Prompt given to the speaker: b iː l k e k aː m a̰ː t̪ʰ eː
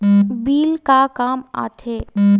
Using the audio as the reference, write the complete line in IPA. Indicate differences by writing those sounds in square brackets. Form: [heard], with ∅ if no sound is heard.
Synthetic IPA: b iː l k [a] k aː m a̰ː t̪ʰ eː